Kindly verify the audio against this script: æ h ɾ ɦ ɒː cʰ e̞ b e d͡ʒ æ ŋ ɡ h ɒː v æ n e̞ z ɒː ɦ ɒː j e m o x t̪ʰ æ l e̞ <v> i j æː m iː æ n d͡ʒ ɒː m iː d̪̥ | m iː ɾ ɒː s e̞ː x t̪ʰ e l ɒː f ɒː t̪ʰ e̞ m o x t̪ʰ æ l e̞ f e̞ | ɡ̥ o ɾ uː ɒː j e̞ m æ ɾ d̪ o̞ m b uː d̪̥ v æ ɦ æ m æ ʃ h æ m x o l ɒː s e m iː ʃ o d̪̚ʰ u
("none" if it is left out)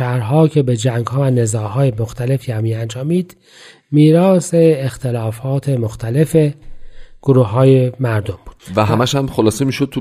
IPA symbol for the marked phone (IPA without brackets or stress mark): f